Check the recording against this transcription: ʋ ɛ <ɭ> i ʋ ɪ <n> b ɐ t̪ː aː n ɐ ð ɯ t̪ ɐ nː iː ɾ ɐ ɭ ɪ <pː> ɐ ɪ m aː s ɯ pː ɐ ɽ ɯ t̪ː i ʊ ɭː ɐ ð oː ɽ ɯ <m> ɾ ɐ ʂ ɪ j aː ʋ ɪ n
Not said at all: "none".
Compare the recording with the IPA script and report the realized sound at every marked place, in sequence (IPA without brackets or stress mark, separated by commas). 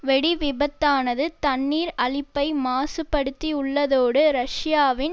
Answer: ɽ, none, pː, none